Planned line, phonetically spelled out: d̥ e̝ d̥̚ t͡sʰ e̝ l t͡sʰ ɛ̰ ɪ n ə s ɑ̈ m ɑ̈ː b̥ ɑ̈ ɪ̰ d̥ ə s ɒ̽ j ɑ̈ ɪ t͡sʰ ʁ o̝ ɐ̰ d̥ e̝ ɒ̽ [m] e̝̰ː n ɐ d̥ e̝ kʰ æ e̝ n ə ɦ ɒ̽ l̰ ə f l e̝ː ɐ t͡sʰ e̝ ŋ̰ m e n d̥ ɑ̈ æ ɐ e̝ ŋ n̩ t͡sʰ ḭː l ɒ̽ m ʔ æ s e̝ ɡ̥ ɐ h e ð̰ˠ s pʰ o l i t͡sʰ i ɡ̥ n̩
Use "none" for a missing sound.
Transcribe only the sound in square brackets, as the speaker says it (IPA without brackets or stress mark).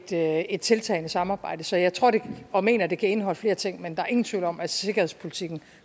m